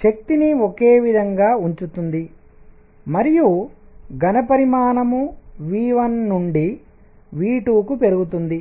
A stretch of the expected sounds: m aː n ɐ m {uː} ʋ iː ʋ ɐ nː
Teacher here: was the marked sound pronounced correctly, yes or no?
no